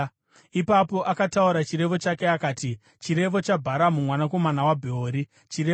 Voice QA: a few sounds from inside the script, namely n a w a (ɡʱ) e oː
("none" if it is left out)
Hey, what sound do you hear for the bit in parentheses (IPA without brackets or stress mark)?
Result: bʱ